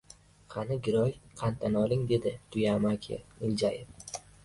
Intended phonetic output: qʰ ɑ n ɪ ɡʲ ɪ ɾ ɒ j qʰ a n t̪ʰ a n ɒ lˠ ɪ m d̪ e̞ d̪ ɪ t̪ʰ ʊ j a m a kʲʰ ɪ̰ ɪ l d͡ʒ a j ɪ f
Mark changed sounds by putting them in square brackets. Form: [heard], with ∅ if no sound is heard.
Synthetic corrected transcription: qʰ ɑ n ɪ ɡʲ ɪ ɾ ɒ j qʰ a n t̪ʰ a n ɒ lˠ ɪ [ŋ] d̪ e̞ d̪ ɪ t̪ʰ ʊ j a m a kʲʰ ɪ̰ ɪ l d͡ʒ a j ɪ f